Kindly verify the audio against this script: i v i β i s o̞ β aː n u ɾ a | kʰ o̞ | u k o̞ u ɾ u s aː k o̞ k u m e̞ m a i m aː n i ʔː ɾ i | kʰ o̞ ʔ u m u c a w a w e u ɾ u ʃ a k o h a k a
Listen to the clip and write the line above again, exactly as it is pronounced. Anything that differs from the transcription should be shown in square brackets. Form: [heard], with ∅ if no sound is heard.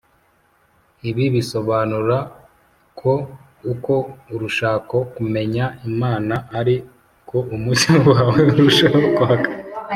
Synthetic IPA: i [β] i β i s o̞ β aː n u ɾ a | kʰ o̞ | u k o̞ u ɾ u [ʃ] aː k o̞ k u m e̞ [ɲ] a i m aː n [a] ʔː ɾ i | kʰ o̞ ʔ u m u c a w a w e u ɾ u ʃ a k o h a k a